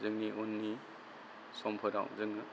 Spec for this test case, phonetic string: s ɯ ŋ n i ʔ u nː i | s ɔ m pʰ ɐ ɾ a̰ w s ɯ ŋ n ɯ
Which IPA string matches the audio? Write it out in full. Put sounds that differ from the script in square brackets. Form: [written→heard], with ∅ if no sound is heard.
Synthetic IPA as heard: [s→z] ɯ ŋ n i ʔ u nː i | s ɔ m pʰ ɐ ɾ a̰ w [s→z] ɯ ŋ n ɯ

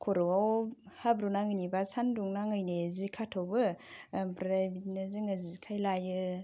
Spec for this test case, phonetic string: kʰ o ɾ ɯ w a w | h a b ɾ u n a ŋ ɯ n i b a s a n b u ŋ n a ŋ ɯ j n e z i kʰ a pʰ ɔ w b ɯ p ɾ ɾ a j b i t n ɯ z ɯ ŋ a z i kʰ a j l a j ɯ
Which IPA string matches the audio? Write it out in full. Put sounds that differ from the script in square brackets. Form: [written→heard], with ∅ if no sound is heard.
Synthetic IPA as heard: kʰ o ɾ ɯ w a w | h a b ɾ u n a ŋ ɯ n i b a s a n [b→d] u ŋ n a ŋ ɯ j n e z i kʰ a [pʰ→tʰ] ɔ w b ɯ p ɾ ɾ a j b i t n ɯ z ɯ ŋ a z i kʰ a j l a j ɯ

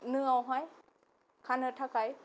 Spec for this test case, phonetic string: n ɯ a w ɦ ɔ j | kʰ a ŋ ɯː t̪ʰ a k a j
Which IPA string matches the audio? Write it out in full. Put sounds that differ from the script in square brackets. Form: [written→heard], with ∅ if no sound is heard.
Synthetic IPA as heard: n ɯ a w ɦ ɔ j | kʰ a [ŋ→n] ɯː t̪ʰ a k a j

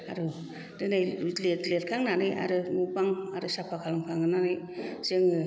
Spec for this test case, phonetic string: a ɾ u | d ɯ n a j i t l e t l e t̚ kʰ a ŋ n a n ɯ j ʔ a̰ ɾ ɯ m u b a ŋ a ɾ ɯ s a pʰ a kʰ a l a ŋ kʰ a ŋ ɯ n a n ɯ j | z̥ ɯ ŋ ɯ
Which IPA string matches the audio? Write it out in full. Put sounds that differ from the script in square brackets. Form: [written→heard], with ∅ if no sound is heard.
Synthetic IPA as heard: a ɾ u | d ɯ n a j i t l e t l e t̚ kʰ a ŋ n a n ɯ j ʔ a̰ ɾ ɯ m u b a ŋ a ɾ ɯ s a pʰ a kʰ a l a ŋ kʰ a ŋ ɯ n a n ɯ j | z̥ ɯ ŋ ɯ

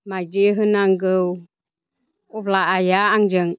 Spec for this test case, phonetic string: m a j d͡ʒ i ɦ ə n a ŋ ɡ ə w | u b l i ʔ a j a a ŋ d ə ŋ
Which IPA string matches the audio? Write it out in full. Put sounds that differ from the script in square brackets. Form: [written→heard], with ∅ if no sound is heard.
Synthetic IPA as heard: m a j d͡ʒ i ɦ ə n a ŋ ɡ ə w | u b l [i→a] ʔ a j a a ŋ [d→d͡ʒ] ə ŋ

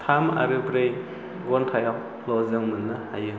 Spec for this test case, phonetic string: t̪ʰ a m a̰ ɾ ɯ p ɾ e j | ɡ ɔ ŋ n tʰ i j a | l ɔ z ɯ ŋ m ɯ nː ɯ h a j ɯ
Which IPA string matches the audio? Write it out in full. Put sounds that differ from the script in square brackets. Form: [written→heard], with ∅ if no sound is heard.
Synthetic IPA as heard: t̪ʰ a m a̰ ɾ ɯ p ɾ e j | ɡ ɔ [ŋ→∅] n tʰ [i→a] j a | l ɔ z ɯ ŋ m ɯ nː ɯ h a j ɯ

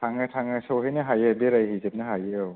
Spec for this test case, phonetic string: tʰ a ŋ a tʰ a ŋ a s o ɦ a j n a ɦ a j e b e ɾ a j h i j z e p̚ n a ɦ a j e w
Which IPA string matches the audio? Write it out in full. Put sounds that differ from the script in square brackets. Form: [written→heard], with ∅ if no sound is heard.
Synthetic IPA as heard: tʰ a ŋ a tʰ a ŋ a s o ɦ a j n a ɦ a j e b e ɾ a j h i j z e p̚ n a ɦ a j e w

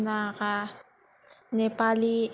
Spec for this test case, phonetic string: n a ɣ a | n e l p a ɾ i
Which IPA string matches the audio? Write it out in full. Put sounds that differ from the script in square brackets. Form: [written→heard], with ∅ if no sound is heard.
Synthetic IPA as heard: n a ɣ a | n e [l→∅] p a [ɾ→l] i

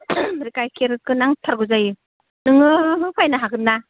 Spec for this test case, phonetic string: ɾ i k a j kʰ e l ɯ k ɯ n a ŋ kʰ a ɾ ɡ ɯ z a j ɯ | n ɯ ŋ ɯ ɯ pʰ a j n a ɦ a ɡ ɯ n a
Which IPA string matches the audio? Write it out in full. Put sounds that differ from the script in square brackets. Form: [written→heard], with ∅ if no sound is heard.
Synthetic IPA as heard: ɾ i k a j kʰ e [l→ɾ] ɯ k ɯ n a ŋ [kʰ→tʰ] a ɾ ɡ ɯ z a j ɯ | n ɯ ŋ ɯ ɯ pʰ a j n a ɦ a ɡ ɯ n a

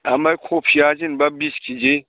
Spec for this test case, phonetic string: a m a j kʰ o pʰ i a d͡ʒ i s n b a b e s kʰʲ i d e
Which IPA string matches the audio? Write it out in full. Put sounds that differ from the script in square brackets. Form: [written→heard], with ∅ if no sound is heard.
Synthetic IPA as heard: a m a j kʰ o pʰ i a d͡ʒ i [s→∅] n b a b [e→i] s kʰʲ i [d→d͡ʒ] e

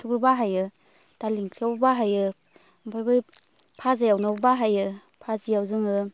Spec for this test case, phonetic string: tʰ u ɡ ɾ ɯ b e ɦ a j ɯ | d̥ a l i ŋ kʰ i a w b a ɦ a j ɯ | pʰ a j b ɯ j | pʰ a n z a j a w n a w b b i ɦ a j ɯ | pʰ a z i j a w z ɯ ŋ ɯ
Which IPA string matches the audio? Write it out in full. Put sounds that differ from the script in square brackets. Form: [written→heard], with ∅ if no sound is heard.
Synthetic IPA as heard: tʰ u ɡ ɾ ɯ b [e→a] ɦ a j ɯ | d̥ a l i ŋ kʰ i a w b a ɦ a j ɯ | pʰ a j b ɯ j | pʰ a [n→∅] z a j a w n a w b b [i→a] ɦ a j ɯ | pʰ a z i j a w z ɯ ŋ ɯ

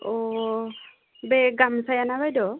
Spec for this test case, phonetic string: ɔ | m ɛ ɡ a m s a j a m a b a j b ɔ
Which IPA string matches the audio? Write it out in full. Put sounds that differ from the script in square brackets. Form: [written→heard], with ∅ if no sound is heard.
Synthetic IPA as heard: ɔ | [m→b] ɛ ɡ a m s a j a [m→n] a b a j [b→d] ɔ

